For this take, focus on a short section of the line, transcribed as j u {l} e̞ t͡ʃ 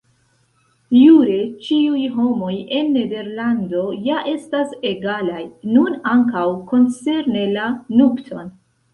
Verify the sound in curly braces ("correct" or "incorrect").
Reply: incorrect